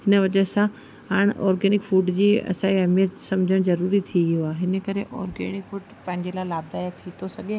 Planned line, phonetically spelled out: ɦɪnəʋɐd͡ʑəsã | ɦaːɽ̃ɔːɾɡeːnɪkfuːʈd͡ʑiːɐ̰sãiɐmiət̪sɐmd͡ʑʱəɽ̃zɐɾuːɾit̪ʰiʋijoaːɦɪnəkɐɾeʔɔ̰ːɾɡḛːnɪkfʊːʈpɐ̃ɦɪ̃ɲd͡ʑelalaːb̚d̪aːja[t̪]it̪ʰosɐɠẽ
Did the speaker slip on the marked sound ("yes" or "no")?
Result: yes